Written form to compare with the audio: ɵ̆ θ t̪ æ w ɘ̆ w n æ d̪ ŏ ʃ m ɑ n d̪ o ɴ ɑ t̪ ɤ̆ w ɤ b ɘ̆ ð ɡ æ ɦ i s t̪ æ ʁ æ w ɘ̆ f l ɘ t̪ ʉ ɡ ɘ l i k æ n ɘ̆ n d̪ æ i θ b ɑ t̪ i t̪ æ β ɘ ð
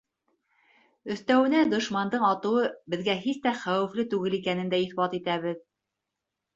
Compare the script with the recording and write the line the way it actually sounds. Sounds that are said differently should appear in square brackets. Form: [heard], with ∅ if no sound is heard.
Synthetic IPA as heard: ɵ̆ θ t̪ æ w ɘ̆ [∅] n æ d̪ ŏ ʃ m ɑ n d̪ [ɤ] ɴ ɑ t̪ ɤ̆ w ɤ b ɘ̆ ð ɡ æ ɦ i s t̪ æ [χ] æ w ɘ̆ f l ɘ t̪ ʉ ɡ ɘ l i k æ n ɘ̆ n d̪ æ i θ b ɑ t̪ i t̪ æ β ɘ ð